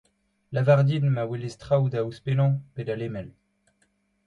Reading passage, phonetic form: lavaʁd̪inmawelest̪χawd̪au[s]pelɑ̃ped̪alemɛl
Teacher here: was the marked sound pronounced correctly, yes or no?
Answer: yes